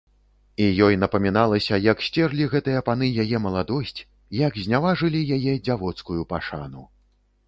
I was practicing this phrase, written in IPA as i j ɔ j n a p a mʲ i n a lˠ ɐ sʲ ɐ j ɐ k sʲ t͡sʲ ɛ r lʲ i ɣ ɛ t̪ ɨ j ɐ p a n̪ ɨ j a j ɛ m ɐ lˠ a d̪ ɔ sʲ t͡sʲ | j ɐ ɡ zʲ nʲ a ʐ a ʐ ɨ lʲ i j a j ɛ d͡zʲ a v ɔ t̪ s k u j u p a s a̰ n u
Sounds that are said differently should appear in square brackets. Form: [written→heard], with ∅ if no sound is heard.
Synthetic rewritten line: i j ɔ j n [a→ɐ] p [a→ɐ] mʲ i n a lˠ ɐ sʲ ɐ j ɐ k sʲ t͡sʲ ɛ r lʲ i ɣ ɛ t̪ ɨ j ɐ p a n̪ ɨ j a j ɛ m ɐ lˠ a d̪ ɔ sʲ t͡sʲ | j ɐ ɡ zʲ nʲ a [ʐ→v] a ʐ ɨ lʲ i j a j ɛ d͡zʲ a v ɔ t̪ s k u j u p a [s→ʂ] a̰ n u